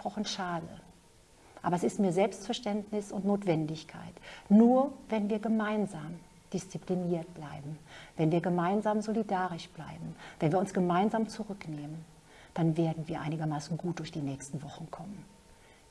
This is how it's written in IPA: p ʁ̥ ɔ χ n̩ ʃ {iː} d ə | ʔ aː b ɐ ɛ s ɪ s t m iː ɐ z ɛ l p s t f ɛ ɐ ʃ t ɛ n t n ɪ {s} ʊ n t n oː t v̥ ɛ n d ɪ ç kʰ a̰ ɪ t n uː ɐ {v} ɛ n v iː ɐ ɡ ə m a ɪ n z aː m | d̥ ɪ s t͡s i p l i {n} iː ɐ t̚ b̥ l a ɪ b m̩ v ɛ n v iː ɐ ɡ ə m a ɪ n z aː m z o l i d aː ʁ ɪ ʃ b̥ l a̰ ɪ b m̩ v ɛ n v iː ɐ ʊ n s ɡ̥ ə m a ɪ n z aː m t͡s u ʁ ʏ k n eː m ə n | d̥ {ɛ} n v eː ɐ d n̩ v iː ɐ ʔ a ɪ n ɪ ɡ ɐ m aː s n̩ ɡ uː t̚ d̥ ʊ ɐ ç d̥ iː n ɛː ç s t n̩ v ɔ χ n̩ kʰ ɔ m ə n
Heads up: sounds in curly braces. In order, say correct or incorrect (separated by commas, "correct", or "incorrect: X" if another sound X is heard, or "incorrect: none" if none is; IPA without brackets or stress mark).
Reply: incorrect: aː, correct, correct, correct, incorrect: a